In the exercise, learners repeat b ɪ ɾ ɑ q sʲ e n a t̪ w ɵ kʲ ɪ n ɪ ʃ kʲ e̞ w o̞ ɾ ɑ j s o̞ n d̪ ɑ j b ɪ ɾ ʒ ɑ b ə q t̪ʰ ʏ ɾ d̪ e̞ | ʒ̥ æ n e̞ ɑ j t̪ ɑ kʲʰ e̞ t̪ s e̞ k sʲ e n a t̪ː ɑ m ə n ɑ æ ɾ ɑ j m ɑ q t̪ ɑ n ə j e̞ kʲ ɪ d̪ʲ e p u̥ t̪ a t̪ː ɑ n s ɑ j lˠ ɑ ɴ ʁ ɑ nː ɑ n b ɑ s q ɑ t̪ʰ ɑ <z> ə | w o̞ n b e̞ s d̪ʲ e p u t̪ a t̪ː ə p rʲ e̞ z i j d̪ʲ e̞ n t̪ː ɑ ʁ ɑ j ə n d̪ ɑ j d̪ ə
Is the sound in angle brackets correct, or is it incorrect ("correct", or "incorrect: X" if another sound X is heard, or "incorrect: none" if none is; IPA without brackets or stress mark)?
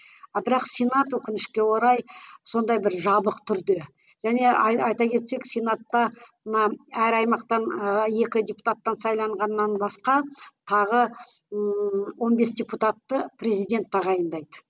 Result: incorrect: ʁ